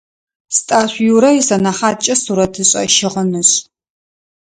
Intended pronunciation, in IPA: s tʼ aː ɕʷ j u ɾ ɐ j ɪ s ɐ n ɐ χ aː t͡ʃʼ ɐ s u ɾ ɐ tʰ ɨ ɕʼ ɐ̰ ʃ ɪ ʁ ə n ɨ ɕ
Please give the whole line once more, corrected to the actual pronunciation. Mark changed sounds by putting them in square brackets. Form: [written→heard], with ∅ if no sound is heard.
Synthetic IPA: s tʼ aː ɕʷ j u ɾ ɐ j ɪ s ɐ n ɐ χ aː t͡ʃʼ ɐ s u ɾ ɐ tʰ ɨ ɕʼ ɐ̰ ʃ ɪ ʁ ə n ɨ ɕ